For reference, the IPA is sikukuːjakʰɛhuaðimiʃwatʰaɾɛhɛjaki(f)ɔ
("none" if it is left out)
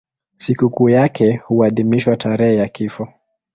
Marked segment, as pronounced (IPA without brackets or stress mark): f